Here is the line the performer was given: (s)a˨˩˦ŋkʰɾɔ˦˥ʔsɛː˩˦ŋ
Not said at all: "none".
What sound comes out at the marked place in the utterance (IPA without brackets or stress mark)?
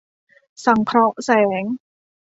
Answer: s